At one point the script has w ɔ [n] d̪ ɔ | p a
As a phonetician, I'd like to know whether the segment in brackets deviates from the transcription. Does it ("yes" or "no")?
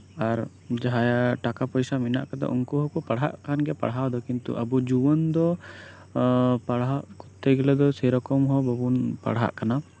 no